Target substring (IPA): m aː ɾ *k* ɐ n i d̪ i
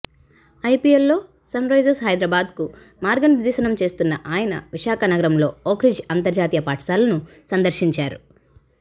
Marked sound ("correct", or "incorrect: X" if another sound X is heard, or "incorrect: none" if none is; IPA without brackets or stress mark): incorrect: ɡ